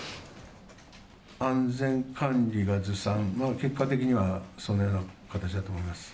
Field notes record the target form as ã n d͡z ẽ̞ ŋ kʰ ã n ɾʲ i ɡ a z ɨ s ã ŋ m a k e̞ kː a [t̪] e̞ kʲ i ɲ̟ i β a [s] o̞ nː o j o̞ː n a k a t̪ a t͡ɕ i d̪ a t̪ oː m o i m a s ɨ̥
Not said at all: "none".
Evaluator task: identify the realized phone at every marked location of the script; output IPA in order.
t̪, s

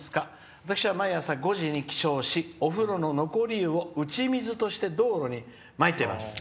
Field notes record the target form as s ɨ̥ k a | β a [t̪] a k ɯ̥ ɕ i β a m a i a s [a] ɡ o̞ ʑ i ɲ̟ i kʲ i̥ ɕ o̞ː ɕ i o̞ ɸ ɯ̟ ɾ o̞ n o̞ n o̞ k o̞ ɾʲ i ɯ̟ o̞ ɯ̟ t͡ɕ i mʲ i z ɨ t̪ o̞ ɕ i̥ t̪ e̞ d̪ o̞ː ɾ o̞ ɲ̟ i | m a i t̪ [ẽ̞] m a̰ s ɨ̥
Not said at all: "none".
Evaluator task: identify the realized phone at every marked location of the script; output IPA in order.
t̪, a, e̞

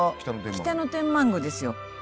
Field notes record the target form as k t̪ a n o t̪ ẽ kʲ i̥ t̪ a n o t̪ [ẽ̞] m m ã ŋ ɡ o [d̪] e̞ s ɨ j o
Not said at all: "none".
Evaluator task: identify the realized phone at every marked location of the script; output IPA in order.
ẽ̞, d̪

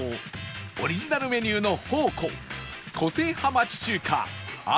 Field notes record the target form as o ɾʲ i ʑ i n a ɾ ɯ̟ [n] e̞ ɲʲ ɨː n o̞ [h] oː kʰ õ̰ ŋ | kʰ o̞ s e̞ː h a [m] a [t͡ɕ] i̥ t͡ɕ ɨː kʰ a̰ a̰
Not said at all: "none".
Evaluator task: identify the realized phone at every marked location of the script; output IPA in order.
m, h, m, t͡ɕ

